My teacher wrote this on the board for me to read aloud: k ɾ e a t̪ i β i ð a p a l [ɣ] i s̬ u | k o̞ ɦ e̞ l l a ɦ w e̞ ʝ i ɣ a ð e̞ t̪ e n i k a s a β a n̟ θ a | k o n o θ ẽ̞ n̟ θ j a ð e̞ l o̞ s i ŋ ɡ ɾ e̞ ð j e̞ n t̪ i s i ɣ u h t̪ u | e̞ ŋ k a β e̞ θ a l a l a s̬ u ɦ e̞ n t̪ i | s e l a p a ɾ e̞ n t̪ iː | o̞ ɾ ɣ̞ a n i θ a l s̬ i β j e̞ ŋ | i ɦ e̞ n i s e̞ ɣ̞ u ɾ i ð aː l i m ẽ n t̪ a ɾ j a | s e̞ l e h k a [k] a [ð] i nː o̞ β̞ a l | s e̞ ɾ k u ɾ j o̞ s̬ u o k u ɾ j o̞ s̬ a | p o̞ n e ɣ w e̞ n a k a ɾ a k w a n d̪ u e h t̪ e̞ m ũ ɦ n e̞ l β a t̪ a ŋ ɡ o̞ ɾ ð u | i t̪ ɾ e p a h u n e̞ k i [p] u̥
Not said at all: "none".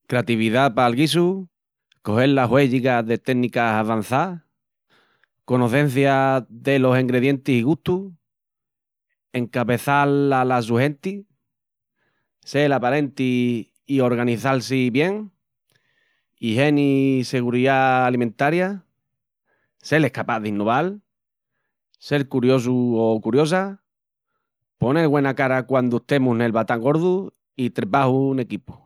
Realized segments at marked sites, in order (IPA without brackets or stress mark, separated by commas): ɣ, p, ð, p